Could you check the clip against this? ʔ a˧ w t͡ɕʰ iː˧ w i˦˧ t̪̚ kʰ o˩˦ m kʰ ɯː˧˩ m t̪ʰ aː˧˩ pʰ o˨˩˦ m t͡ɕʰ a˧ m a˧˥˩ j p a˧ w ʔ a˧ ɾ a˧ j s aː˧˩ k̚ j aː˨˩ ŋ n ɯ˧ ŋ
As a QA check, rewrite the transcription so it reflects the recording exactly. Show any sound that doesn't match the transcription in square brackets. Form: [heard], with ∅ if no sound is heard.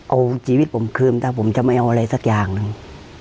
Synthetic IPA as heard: ʔ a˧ w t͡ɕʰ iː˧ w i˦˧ t̪̚ [pʰ] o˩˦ m kʰ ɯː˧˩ m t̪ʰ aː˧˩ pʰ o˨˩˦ m [t͡ɕ] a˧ m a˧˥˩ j [ʔ] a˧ w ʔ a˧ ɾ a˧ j s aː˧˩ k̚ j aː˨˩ ŋ n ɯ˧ ŋ